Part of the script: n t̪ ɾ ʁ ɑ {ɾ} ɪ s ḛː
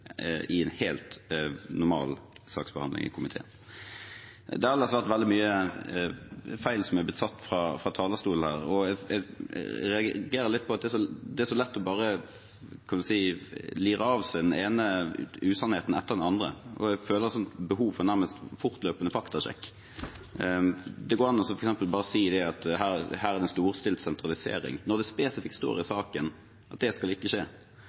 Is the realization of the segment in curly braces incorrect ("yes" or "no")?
yes